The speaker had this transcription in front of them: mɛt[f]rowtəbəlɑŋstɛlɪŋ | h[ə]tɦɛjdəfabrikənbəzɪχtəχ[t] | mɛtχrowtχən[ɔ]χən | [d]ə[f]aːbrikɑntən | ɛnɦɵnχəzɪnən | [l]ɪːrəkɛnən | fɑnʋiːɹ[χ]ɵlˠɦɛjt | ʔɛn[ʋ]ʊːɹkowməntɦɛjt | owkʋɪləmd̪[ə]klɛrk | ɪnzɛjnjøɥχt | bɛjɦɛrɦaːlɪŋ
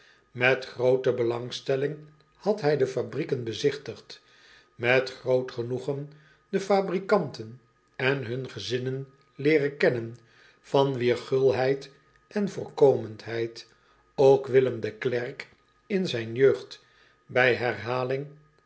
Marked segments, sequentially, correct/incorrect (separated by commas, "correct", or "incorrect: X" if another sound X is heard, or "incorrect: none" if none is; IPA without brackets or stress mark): incorrect: χ, incorrect: ɑ, correct, incorrect: u, correct, correct, correct, correct, incorrect: v, correct